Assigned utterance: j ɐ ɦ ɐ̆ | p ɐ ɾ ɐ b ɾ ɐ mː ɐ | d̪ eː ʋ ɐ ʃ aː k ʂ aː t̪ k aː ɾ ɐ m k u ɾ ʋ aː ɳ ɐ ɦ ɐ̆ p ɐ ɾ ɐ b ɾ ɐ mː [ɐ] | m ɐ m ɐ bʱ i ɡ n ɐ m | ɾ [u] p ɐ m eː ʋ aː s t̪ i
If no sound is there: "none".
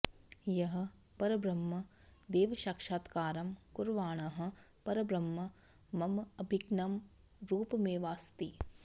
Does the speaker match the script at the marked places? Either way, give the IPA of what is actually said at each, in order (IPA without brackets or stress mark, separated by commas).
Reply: ɐ, uː